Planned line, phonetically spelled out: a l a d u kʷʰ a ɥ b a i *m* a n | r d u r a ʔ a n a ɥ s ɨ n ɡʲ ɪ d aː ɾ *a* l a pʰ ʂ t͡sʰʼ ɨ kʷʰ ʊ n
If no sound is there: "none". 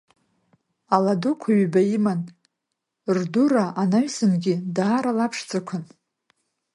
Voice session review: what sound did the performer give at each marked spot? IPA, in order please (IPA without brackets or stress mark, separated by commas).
m, a